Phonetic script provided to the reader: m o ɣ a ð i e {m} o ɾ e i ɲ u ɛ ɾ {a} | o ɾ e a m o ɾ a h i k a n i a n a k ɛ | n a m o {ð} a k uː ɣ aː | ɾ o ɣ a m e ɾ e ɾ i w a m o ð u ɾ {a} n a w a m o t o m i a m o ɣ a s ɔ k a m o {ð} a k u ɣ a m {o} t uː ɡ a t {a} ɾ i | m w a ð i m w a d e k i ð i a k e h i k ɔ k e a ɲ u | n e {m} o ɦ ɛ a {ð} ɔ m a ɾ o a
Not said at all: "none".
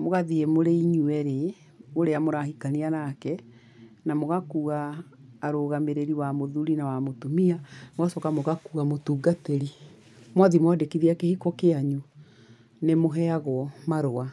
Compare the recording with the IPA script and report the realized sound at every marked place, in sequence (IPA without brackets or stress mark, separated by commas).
m, e, ɣ, i, ɣ, o, e, m, ɣ